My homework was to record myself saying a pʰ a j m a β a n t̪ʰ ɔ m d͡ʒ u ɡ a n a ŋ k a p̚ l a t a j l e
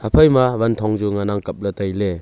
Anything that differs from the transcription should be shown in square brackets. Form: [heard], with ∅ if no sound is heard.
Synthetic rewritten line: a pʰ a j m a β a n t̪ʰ ɔ [ŋ] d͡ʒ u [ŋ] a n a ŋ k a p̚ l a t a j l e